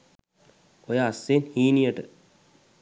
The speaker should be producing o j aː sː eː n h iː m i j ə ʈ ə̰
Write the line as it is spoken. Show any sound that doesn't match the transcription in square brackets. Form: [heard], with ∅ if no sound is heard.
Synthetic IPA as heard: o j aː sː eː n h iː [n] i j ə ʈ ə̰